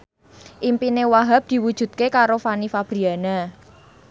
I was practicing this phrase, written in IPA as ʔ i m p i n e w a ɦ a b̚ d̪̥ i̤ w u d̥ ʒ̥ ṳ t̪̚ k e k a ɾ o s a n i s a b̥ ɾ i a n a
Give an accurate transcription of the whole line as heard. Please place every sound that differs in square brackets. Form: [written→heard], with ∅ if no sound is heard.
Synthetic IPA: ʔ i m p i n e w a ɦ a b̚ d̪̥ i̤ w u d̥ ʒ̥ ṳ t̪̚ k e k a ɾ o [s→f] a n i [s→f] a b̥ ɾ i a n a

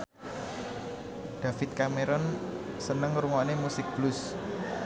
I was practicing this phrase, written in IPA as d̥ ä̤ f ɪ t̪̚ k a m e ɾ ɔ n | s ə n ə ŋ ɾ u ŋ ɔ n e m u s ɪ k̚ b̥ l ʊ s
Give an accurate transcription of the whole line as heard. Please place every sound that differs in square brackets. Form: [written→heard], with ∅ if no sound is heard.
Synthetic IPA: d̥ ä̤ f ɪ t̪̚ k a m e ɾ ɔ n | s ə n ə ŋ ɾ u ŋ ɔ n e m u s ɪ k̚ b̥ l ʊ s

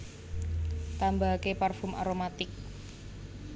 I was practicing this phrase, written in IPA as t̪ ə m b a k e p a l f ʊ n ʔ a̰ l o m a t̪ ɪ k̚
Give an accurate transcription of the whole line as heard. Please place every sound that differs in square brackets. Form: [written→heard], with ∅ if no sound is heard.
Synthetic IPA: t̪ [ə→a] m b a k e p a [l→r] f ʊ [n→m] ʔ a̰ [l→ɾ] o m a t̪ ɪ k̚

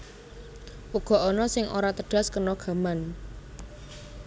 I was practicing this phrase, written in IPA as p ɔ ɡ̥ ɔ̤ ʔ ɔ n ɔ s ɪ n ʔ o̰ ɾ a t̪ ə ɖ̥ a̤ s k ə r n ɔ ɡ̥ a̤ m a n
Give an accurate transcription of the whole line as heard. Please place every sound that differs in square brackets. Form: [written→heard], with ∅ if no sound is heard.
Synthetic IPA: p [ɔ→u] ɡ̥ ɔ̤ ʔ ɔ n ɔ s ɪ [n→ŋ] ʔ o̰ ɾ a t̪ ə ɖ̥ a̤ s k ə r n ɔ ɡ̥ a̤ m a n

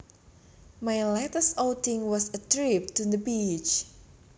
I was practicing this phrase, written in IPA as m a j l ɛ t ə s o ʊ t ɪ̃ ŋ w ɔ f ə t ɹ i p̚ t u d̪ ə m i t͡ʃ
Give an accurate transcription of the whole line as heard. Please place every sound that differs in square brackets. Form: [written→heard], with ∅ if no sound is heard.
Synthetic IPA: m a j l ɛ t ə s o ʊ t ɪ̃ ŋ w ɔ [f→s] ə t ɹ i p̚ t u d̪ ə [m→b] i t͡ʃ

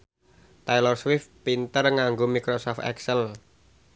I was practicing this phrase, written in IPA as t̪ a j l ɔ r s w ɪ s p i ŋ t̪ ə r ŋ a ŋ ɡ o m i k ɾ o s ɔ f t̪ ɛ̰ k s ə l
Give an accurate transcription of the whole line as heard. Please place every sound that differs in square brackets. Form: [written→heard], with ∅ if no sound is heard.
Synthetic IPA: t̪ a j l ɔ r s w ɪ [s→f] p i [ŋ→n] t̪ ə r ŋ a ŋ ɡ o m i k ɾ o s ɔ f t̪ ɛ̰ k s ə l

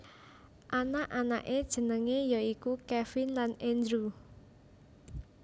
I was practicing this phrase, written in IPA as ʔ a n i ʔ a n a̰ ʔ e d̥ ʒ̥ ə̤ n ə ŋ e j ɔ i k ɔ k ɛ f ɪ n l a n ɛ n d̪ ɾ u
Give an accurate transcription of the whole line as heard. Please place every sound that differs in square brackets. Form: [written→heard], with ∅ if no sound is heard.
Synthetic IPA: ʔ a n [i→a] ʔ a n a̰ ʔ e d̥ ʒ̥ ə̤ n ə ŋ e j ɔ i k [ɔ→u] k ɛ f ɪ n l a n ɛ n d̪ ɾ u

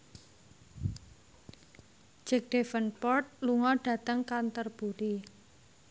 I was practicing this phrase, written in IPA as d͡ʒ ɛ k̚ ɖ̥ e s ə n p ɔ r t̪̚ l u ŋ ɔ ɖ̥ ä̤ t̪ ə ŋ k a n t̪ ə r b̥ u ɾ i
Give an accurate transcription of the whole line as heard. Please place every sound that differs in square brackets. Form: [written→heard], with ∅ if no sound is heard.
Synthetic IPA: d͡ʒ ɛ k̚ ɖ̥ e [s→f] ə n p ɔ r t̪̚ l u ŋ ɔ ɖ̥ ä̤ t̪ ə ŋ k a n t̪ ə r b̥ u ɾ i

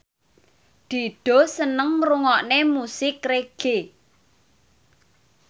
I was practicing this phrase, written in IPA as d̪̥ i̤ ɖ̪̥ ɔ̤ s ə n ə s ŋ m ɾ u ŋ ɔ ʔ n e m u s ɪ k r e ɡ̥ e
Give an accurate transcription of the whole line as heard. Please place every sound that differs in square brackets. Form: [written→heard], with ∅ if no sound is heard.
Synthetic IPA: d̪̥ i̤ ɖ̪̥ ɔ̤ s ə n ə [s→∅] ŋ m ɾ u ŋ ɔ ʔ n e m u s ɪ k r e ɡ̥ e

